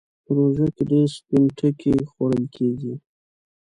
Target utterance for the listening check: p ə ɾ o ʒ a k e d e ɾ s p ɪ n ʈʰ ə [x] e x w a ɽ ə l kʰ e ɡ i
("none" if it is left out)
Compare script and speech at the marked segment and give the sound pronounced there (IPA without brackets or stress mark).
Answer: k